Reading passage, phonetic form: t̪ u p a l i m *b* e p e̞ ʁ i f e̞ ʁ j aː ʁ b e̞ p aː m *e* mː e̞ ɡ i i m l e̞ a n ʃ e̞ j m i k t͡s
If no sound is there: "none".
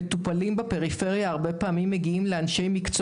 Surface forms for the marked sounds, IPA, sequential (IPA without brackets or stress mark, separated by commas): b, i